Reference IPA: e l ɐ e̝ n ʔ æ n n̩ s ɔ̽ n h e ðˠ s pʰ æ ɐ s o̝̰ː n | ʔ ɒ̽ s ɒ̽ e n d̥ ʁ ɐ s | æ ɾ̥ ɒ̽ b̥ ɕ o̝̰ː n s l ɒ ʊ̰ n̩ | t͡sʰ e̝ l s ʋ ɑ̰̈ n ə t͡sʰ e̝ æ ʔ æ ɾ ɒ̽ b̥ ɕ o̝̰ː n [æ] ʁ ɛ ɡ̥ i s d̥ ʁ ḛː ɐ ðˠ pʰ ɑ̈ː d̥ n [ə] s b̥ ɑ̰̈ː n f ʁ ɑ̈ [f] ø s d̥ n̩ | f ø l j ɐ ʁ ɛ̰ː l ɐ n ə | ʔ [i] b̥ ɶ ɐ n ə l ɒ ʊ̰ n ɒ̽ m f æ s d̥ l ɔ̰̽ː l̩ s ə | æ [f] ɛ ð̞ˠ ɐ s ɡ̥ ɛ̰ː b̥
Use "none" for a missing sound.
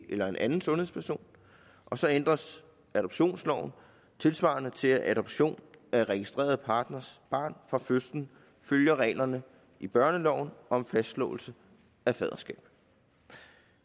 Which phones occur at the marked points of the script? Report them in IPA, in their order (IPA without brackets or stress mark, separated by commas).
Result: æ, ɐ, f, i, f